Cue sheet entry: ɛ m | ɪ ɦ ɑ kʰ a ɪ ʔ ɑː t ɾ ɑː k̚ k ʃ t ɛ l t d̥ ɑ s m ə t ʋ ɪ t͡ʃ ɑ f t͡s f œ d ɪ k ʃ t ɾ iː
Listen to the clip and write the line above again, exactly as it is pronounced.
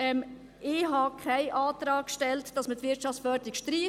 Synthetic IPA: ɛ m | ɪ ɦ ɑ kʰ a ɪ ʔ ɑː t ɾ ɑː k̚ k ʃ t ɛ l t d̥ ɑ s m ə t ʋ ɪ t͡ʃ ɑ f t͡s f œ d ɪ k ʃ t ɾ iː